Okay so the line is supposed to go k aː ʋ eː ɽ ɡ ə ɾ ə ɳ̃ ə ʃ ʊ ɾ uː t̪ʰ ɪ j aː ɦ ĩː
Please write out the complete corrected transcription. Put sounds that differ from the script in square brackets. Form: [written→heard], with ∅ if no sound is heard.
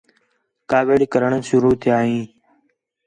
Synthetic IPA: k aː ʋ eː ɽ [ɡ→k] ə ɾ ə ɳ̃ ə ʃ ʊ ɾ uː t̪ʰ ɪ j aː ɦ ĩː